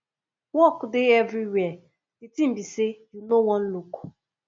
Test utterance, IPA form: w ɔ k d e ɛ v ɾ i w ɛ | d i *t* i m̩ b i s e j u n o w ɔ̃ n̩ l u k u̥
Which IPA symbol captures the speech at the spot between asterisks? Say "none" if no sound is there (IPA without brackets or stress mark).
t